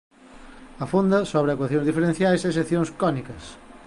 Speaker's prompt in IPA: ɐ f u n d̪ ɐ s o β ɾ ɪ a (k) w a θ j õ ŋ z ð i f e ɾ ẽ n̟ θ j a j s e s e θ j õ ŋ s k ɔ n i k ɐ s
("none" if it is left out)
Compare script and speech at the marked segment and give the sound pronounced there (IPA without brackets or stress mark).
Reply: k